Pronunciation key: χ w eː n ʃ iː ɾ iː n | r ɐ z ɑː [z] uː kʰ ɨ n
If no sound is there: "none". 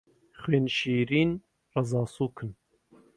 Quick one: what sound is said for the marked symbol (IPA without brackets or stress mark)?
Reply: s